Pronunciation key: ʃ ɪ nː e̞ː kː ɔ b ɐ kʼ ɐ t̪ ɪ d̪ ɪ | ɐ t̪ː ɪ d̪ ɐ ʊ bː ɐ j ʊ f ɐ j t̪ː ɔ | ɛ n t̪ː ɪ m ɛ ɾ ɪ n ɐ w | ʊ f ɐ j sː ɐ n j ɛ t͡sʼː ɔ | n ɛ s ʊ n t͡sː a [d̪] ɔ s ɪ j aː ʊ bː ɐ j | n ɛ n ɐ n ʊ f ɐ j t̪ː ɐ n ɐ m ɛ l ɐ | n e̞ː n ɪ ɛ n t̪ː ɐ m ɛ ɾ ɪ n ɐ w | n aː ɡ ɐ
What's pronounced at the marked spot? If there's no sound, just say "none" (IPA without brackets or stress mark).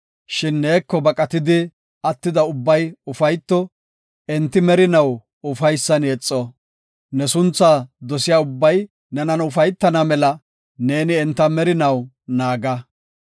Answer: d̪